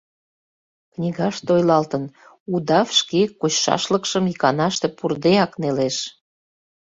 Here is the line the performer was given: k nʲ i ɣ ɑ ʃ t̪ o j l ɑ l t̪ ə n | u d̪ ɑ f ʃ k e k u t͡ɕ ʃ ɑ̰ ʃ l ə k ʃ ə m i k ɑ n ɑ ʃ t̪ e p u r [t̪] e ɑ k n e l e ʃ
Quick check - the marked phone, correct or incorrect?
incorrect